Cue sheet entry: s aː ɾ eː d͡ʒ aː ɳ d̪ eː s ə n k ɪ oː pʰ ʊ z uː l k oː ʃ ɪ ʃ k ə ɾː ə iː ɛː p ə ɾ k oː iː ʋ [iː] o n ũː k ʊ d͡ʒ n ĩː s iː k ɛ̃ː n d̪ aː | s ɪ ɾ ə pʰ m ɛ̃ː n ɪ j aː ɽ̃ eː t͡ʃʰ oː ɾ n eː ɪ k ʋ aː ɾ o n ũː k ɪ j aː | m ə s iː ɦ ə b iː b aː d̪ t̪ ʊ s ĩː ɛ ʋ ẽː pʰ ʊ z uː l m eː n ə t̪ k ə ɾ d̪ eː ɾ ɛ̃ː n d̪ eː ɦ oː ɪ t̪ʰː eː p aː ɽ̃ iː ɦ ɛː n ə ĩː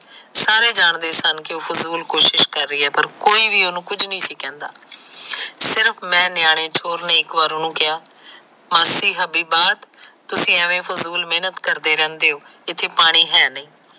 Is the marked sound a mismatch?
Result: no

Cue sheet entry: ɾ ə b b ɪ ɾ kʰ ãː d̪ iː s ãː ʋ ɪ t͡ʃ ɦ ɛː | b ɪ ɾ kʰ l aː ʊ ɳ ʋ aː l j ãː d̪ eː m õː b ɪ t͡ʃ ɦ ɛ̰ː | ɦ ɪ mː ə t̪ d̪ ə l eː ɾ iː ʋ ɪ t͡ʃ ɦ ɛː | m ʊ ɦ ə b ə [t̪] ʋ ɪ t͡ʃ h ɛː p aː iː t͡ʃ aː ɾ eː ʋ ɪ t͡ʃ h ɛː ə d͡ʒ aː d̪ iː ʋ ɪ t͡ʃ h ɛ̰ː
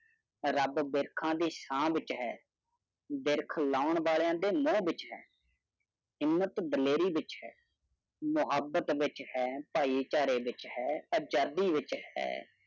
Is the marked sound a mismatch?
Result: no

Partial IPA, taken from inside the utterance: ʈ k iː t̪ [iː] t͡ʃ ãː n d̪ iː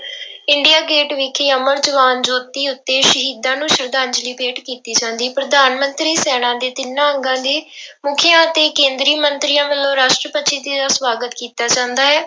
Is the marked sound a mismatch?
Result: no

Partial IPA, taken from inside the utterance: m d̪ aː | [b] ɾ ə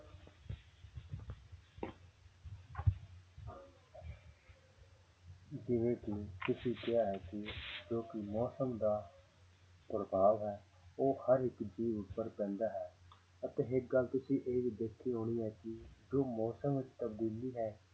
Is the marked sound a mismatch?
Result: yes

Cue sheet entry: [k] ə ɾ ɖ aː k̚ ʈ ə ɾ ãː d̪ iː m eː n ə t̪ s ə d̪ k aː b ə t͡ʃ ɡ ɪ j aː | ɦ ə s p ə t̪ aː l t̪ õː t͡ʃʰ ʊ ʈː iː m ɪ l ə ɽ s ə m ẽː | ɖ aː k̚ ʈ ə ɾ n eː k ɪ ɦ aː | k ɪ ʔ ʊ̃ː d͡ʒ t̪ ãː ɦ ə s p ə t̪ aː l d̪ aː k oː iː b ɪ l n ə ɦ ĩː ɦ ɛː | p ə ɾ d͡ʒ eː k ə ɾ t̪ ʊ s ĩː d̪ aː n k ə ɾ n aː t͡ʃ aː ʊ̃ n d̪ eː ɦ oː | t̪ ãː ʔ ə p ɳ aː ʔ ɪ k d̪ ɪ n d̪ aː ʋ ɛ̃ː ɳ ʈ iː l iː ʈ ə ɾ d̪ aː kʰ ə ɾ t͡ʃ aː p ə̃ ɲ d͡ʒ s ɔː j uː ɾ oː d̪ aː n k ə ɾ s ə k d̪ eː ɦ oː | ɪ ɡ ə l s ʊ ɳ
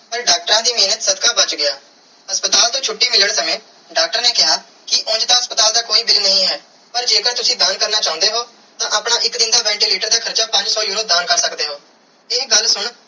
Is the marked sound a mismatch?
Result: yes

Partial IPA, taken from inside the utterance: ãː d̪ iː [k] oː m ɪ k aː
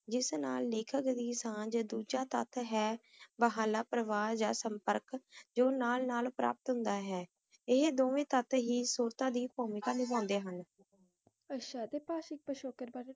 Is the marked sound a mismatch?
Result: yes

